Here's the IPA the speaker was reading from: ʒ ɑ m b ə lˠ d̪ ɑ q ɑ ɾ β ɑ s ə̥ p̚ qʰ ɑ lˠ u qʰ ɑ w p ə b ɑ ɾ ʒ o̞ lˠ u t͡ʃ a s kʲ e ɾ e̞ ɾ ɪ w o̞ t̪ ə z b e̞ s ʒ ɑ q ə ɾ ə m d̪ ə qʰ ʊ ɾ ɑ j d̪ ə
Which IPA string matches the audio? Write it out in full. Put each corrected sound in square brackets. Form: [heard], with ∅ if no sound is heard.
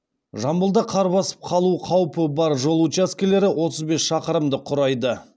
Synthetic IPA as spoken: ʒ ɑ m b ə lˠ d̪ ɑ [qʰ] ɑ ɾ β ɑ s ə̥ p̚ qʰ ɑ lˠ u qʰ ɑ w p ə b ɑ ɾ ʒ o̞ lˠ u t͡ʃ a s kʲ e [l] e̞ ɾ ɪ w o̞ t̪ ə z b e̞ s [ʃ] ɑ q ə ɾ ə m d̪ ə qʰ ʊ ɾ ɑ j d̪ ə